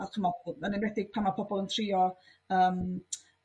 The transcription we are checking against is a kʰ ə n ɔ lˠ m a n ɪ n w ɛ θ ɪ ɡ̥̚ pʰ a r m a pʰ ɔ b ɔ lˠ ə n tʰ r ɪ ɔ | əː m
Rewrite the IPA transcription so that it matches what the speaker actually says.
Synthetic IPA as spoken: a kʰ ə m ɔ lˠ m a n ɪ n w ɛ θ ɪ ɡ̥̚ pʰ a m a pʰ ɔ b ɔ lˠ ə n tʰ r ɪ ɔ | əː m